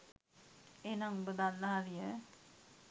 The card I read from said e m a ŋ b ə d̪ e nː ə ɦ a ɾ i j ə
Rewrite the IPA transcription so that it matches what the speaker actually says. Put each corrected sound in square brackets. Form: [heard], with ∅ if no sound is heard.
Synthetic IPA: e [n] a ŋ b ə d̪ [a] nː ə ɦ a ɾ i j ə